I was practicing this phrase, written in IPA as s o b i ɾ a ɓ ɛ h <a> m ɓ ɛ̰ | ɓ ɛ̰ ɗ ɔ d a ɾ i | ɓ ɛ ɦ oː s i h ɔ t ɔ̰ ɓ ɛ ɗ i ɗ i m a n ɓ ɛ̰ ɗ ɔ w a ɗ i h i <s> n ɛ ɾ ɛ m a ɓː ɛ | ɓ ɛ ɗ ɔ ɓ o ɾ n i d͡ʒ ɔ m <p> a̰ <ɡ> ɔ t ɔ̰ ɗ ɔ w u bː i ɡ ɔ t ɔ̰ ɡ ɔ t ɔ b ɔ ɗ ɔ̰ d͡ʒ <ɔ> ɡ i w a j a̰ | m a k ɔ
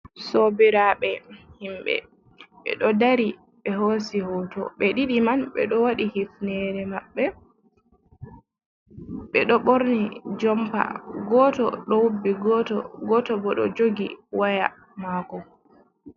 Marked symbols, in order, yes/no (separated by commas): no, no, yes, yes, no